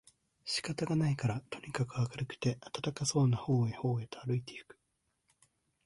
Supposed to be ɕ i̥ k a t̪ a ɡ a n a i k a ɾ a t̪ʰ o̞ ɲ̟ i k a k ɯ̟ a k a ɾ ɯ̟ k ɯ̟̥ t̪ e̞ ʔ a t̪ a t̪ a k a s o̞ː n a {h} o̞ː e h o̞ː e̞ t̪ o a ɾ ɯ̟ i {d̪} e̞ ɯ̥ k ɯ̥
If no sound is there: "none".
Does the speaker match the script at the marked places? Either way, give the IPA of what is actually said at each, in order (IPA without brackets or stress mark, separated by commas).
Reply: h, t̪